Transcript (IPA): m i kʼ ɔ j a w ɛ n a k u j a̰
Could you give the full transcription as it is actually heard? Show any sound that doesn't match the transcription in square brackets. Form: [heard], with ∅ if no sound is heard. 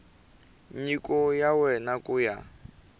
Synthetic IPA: [ɲ] i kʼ ɔ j a w ɛ n a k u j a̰